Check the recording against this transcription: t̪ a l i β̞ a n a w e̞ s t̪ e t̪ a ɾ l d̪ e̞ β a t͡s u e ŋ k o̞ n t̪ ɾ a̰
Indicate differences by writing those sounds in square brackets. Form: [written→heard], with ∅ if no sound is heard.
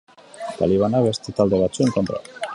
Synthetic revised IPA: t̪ a l i β̞ a n a [w→β] e̞ s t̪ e t̪ a [ɾ→∅] l d̪ e̞ β a t͡s u e ŋ k o̞ n t̪ ɾ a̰